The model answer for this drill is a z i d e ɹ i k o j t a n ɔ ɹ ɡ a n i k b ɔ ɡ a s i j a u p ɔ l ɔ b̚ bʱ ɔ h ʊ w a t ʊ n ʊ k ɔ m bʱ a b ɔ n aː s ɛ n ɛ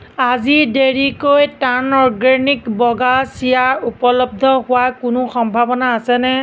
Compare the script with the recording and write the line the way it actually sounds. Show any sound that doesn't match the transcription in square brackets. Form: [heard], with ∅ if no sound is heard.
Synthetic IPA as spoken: a z i d e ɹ i k o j t a n ɔ ɹ ɡ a n i k b ɔ ɡ a s i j a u p ɔ l ɔ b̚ [dʱ] ɔ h ʊ w a [k] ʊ n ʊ [x] ɔ m bʱ a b ɔ n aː s ɛ n ɛ